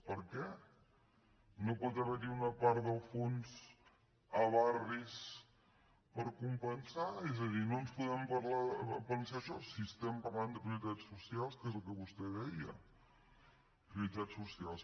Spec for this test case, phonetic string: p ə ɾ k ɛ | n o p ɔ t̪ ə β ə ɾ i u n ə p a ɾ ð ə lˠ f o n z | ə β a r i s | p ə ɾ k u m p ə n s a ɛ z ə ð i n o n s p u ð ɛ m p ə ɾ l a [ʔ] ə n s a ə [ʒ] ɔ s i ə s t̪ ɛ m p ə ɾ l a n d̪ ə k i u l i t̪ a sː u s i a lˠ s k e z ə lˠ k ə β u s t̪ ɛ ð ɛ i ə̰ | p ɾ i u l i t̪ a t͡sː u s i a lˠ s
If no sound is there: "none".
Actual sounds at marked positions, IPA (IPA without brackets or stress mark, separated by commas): p, ʃ